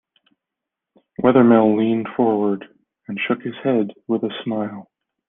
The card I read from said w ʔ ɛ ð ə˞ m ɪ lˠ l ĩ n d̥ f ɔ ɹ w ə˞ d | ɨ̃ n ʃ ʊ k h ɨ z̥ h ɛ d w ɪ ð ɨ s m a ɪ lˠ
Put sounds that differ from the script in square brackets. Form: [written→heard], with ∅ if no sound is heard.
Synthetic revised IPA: w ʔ ɛ ð ə˞ m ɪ lˠ l ĩ n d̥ f ɔ ɹ w ə˞ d | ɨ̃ n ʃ ʊ k h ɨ z̥ h ɛ d w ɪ ð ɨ s m a ɪ lˠ